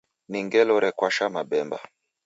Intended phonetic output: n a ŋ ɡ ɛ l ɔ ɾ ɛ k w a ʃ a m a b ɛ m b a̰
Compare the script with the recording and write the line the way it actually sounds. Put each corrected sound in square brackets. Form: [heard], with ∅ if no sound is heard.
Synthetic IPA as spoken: n [i] ŋ ɡ ɛ l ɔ ɾ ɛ k w a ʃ a m a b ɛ m b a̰